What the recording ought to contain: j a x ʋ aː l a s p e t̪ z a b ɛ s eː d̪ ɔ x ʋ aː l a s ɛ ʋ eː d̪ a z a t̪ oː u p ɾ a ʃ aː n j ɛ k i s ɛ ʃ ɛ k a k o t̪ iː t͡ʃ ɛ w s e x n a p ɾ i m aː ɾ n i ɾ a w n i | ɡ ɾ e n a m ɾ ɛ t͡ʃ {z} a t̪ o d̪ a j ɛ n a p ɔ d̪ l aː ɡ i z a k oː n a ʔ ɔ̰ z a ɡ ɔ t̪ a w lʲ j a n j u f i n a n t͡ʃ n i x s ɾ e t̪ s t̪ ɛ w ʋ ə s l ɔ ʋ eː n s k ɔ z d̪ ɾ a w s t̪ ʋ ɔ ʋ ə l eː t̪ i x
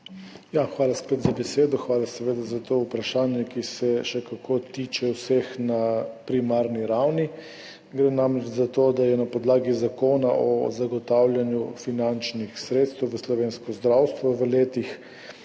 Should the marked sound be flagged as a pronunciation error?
no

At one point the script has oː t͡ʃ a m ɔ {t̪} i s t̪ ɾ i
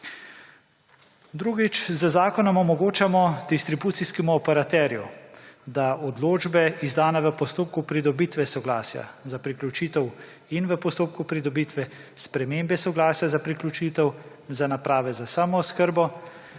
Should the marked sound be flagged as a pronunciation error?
yes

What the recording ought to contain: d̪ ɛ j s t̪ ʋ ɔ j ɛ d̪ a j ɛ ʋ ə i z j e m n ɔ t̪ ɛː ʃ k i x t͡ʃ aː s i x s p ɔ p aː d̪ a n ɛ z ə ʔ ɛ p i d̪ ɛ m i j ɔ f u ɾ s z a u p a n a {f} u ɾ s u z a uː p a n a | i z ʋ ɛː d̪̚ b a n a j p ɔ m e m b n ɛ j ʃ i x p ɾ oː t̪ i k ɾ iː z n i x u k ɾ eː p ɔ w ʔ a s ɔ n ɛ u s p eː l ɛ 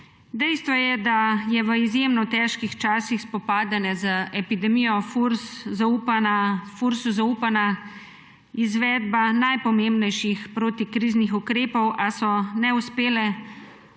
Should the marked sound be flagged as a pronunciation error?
no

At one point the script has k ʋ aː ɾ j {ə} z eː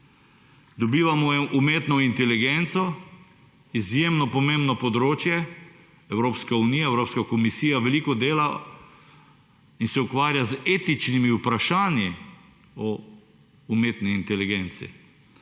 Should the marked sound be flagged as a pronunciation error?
yes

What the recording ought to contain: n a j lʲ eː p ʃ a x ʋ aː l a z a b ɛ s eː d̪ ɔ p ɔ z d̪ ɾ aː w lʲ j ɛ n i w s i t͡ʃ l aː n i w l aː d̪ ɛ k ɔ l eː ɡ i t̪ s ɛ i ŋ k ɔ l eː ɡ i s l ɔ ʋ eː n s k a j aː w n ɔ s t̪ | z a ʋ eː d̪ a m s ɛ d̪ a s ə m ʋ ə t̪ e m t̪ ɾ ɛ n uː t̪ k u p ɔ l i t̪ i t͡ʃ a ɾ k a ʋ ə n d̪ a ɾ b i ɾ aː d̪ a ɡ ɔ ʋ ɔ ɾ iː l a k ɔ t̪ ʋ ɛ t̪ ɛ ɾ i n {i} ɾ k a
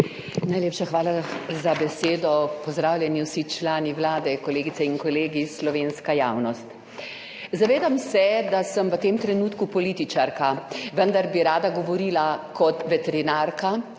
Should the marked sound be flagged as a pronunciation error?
yes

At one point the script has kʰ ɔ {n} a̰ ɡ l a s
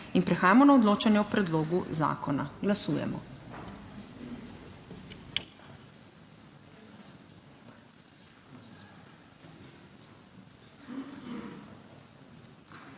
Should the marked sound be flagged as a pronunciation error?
no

